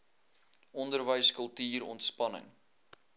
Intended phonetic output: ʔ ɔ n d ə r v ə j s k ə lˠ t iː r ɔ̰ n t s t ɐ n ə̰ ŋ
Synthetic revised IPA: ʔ ɔ n d ə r v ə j s k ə lˠ t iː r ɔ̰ n t s p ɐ n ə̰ ŋ

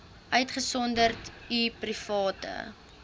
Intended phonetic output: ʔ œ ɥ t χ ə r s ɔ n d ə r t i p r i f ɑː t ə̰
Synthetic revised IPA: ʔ œ ɥ t χ ə s ɔ n d ə r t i p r i f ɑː t ə̰

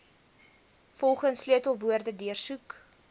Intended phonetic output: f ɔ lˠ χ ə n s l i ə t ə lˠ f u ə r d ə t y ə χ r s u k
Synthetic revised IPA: f ɔ lˠ χ ə n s l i ə t ə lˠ v u ə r d ə d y ə r s u k

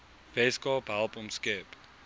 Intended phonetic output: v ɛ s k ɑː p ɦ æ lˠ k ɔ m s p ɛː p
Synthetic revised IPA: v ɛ s k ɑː p ɦ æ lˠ p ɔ m s k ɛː p

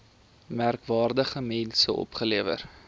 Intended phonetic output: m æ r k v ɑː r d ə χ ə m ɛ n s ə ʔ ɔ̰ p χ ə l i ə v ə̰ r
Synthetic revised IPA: m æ r k v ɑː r d ə χ ə m ɛ n s ə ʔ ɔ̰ p χ ə l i ə v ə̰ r

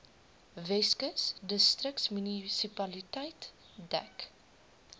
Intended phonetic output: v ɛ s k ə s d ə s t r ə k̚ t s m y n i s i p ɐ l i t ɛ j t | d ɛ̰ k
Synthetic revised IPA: v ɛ s k ə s d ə s t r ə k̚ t s m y n i s i p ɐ l i t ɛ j t | d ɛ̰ k

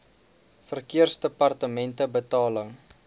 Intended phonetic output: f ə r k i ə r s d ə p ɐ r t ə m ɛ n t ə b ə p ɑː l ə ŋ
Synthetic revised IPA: f ə r k i ə r s d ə p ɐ r t ə m ɛ n t ə b ə t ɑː l ə ŋ

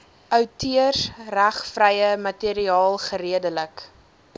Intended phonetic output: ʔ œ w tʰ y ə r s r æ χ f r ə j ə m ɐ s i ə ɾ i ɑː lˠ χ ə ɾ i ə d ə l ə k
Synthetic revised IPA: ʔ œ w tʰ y ə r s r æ χ f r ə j ə m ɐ t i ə ɾ i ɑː lˠ χ ə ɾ i ə d ə l ə k

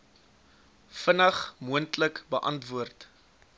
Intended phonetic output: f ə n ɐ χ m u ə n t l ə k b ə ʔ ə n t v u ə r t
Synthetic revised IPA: f ə n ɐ χ m u ə n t l ə k b ə ʔ ɐ n t v u ə r t

